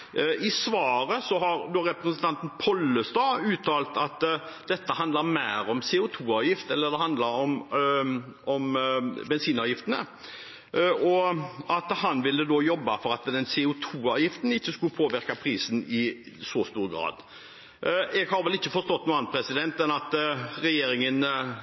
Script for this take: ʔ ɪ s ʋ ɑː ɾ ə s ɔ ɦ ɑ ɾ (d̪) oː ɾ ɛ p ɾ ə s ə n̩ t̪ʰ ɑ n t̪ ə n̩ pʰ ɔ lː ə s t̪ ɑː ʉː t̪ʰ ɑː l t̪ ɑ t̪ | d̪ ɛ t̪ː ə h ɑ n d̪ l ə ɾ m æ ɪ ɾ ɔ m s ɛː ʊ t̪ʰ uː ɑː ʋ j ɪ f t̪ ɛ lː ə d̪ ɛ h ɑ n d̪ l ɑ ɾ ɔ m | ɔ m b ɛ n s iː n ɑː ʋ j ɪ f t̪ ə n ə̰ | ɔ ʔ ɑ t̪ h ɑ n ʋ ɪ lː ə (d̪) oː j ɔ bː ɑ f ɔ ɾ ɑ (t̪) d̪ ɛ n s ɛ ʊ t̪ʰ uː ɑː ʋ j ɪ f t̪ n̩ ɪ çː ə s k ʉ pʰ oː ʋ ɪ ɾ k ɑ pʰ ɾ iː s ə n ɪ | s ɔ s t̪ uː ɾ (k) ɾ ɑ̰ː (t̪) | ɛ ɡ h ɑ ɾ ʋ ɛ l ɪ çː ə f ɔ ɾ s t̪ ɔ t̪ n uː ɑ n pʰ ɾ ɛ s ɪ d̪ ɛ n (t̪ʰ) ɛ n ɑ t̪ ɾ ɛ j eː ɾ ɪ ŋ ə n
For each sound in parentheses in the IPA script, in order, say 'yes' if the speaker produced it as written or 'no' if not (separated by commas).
yes, yes, yes, no, no, no